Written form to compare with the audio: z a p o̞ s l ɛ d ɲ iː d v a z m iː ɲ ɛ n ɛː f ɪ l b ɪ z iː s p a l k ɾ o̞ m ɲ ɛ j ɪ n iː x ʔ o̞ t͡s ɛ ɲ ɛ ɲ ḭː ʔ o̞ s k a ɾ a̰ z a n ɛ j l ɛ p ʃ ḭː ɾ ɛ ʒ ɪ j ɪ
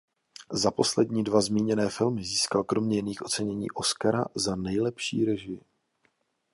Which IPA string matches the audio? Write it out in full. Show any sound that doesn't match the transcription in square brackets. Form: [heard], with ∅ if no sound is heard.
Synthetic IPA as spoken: z a p o̞ s l ɛ d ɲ iː d v a z m iː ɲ ɛ n ɛː f ɪ l [m] ɪ z iː s [k] a l k ɾ o̞ m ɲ ɛ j ɪ n iː x ʔ o̞ t͡s ɛ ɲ ɛ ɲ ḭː ʔ o̞ s k a ɾ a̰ z a n ɛ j l ɛ p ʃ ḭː ɾ ɛ ʒ ɪ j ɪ